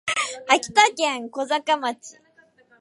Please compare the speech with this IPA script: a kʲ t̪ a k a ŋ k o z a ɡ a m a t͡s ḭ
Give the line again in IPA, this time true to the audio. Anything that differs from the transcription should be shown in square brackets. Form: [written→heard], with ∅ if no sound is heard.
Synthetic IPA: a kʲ t̪ a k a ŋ k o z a [ɡ→k] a m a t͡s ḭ